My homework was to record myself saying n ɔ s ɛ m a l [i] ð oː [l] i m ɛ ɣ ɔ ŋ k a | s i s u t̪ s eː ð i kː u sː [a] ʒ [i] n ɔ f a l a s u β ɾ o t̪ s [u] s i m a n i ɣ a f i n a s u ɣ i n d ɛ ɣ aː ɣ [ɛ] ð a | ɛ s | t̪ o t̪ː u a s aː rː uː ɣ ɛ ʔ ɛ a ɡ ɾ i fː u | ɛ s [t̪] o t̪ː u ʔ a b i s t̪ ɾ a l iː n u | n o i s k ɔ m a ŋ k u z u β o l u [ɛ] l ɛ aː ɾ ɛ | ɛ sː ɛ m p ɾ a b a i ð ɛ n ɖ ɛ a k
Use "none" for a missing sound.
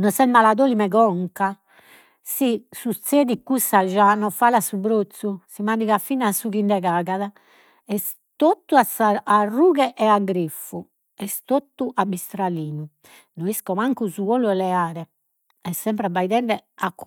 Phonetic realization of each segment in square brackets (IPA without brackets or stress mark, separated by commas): a, l, a, a, u, a, t̪, ɛ